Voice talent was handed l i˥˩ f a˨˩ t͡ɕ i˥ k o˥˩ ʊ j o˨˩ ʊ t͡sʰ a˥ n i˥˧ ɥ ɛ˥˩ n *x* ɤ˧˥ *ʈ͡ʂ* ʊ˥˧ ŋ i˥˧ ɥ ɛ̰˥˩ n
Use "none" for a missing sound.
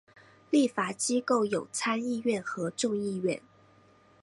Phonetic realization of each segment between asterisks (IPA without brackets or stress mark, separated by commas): x, ʈ͡ʂ